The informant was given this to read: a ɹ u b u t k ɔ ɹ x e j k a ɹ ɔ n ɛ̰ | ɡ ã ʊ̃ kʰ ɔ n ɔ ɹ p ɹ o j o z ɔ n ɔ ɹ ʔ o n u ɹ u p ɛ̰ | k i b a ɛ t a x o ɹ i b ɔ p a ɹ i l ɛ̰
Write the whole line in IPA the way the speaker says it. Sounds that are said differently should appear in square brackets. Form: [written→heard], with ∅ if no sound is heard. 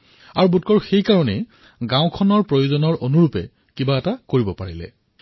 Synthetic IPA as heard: a ɹ u b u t k ɔ ɹ x e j k a ɹ ɔ n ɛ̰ | ɡ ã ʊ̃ kʰ ɔ n ɔ ɹ p ɹ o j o z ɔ n ɔ ɹ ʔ o n u ɹ u p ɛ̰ | k i b a ɛ t a [x→k] o ɹ i b ɔ p a ɹ i l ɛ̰